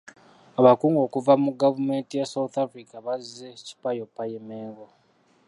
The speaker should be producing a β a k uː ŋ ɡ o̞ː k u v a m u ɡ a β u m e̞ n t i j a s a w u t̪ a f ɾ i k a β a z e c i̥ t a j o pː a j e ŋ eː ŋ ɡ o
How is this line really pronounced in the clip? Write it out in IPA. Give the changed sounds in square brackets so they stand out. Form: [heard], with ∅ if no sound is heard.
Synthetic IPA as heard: a β a k uː ŋ ɡ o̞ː k u v a m u ɡ a [v] u m e̞ n t i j a s a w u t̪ a f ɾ i k a β a z e c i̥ [p] a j o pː a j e [m] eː ŋ ɡ o